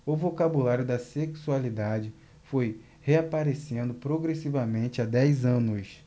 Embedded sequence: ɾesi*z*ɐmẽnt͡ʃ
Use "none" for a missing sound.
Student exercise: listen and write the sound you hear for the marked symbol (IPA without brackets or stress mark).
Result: v